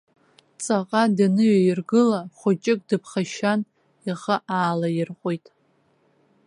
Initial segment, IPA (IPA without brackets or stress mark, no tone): t͡sʼ